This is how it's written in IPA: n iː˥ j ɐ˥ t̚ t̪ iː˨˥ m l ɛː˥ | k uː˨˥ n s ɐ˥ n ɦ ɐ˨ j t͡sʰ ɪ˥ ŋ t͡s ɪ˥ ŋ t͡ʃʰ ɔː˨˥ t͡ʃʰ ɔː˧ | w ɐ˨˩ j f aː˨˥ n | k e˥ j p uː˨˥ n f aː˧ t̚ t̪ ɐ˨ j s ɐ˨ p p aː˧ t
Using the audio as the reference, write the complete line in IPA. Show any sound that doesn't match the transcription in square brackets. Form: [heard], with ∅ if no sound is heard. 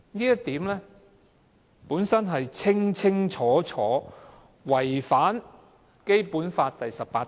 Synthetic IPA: n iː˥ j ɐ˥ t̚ t̪ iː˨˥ m l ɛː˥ | [p] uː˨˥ n s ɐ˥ n ɦ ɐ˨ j t͡sʰ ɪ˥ ŋ [t͡sʰ] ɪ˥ ŋ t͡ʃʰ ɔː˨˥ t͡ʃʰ [ɔː˨˥] | w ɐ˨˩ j f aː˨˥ n | k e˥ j p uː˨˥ n f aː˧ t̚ t̪ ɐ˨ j s ɐ˨ p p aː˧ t